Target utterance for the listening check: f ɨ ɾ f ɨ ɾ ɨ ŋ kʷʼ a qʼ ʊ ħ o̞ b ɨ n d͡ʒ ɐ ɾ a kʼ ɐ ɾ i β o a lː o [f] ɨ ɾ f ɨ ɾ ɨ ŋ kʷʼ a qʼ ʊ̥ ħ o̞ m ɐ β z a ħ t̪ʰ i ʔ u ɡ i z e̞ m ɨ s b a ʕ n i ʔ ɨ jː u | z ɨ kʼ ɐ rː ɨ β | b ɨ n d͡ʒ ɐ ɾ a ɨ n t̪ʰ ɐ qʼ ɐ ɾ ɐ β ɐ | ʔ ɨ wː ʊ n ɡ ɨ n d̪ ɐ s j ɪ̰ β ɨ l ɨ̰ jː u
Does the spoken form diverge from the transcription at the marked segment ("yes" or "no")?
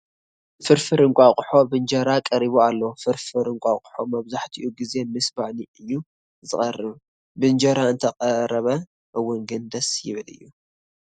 no